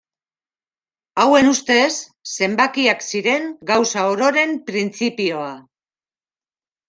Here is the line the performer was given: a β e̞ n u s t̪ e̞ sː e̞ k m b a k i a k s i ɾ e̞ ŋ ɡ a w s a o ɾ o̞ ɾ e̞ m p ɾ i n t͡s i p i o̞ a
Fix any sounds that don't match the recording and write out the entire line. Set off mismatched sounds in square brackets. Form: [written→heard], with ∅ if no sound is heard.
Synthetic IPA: a [β→w] e̞ n u s t̪ e̞ sː e̞ [k→∅] m b a k i a k s i ɾ e̞ ŋ ɡ a w s a o ɾ o̞ ɾ e̞ m p ɾ i n t͡s i p i o̞ a